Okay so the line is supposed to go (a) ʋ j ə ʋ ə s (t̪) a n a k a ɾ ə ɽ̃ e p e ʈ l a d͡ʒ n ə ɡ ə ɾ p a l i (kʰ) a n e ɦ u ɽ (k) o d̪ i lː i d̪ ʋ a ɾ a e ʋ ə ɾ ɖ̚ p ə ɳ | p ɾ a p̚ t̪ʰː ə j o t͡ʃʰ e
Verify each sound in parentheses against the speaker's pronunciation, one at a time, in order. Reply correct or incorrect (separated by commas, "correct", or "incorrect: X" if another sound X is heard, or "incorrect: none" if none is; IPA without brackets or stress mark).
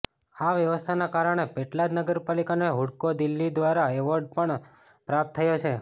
correct, incorrect: t̪ʰ, incorrect: k, correct